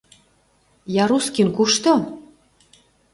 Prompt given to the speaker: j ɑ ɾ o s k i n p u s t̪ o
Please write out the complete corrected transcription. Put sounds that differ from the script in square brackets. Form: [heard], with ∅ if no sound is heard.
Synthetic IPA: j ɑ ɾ [u] s k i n [k] u [ʃ] t̪ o